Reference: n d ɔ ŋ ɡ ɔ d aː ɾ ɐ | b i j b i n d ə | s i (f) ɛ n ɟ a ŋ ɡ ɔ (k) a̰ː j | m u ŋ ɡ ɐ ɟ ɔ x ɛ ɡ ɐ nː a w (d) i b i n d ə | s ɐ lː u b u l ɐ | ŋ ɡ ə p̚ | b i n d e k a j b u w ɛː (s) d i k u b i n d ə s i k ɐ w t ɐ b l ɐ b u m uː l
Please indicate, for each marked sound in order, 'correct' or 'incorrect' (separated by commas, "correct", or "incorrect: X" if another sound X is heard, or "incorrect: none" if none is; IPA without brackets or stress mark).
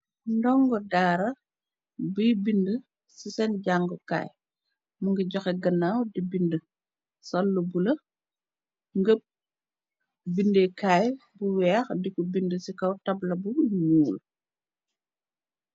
incorrect: s, correct, correct, incorrect: x